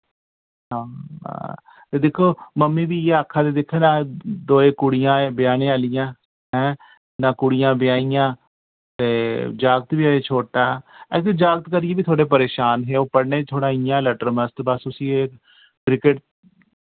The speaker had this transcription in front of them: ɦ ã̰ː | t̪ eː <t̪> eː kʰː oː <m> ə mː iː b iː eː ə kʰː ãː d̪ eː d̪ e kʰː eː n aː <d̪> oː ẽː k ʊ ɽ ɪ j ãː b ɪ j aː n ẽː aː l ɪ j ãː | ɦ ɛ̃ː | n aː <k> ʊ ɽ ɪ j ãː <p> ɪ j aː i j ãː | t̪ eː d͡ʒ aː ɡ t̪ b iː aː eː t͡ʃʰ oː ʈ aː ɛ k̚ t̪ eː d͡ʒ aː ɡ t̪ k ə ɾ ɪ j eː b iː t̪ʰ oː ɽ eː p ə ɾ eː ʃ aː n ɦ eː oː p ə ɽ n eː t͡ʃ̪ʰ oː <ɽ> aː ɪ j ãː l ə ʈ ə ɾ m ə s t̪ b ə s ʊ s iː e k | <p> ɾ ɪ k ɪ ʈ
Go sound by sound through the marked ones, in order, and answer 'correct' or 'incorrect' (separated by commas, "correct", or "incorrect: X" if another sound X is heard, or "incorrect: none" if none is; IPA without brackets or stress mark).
incorrect: d̪, correct, correct, correct, incorrect: b, correct, incorrect: k